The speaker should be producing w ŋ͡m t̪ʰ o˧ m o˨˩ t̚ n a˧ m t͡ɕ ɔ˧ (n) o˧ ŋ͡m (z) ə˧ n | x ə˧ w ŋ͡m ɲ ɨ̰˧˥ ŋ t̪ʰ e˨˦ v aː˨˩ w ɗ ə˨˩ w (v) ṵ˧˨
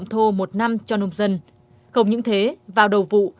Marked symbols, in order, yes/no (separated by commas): yes, yes, yes